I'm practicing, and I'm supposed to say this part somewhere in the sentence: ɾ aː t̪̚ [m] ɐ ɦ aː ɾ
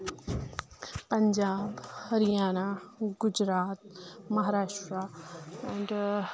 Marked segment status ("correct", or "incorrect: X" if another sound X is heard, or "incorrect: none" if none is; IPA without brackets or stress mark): correct